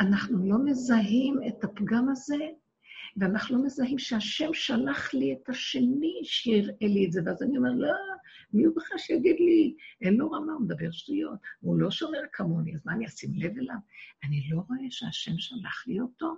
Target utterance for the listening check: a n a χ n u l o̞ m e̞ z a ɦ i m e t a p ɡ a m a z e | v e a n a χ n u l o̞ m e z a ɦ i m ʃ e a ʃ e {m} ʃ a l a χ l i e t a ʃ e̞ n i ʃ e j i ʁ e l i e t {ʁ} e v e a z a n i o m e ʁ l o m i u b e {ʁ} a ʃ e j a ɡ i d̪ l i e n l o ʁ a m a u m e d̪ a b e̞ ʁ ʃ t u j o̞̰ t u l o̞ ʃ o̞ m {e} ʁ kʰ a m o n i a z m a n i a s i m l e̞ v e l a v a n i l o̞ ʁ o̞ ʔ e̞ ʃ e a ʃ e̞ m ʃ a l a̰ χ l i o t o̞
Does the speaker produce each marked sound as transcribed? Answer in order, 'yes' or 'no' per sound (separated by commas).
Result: yes, no, no, yes